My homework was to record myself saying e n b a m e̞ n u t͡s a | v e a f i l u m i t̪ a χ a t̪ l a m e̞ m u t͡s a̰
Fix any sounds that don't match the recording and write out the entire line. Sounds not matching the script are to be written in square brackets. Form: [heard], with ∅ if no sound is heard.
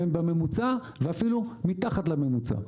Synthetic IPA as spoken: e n b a m e̞ [m] u t͡s a | v e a f i l u m i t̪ a χ a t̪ l a m e̞ m u t͡s a̰

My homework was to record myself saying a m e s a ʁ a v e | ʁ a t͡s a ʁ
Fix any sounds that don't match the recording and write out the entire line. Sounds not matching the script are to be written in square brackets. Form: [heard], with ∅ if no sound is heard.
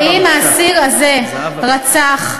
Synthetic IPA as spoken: [i] m [a] s [i] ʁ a [z] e | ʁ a t͡s a [χ]

